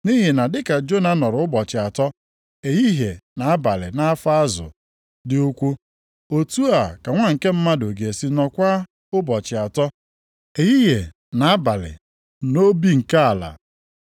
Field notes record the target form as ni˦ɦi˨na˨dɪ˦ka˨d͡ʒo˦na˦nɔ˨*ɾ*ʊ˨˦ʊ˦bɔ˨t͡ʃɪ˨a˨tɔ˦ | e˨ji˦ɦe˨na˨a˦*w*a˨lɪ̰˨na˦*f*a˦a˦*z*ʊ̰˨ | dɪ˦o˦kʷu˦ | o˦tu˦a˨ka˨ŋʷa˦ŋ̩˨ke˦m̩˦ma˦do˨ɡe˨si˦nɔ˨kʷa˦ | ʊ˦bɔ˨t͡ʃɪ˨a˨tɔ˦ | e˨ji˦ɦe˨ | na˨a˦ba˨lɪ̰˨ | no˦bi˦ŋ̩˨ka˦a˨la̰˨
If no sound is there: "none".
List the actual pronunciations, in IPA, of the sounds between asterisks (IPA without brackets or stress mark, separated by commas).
ɾ, b, f, z